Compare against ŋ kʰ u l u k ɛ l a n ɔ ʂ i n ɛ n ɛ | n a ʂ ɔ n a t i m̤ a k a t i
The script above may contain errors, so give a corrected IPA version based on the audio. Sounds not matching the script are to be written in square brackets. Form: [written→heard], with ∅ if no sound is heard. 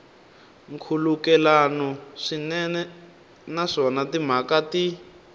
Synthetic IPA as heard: ŋ kʰ u l u k ɛ l a n ɔ ʂ i n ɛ n ɛ | n a ʂ ɔ n a t i m̤ a k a t i